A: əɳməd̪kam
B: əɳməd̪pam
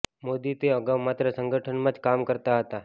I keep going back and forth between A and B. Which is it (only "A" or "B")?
A